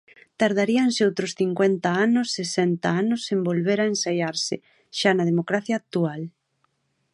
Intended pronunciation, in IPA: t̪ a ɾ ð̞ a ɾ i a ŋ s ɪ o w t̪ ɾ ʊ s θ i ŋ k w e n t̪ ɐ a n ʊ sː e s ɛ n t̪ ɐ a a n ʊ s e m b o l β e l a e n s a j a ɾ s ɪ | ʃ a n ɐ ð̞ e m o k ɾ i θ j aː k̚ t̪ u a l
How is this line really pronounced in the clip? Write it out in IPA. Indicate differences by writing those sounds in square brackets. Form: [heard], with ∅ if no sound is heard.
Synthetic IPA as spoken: t̪ a ɾ ð̞ a ɾ i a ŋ s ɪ o w t̪ ɾ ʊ s θ i ŋ k w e n t̪ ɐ a n ʊ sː e s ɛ n t̪ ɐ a a n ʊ s e m b o l β e [ɾ] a e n s a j a ɾ s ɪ | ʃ a n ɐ ð̞ e m o k ɾ [a] θ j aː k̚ t̪ u a l